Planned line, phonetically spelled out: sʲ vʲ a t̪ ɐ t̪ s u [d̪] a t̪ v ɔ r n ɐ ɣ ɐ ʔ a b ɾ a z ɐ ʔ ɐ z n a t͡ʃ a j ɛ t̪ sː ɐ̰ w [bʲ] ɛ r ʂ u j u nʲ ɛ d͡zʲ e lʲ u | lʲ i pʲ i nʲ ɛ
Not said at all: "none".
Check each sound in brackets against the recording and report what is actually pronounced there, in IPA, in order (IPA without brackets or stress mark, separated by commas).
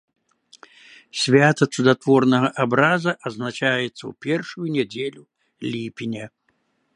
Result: d̪, pʲ